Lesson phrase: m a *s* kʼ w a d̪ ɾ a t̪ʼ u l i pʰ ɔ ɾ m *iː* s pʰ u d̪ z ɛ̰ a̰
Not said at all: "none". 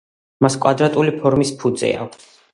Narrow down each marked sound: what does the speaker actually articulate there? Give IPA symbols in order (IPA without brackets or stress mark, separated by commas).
s, i